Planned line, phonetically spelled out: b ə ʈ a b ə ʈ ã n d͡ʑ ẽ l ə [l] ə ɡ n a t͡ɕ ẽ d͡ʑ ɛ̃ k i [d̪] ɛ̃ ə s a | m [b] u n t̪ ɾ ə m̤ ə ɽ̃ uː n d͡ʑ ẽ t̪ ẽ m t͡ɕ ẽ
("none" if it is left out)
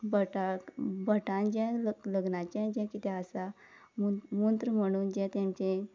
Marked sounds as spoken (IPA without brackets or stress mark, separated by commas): l, t̪, m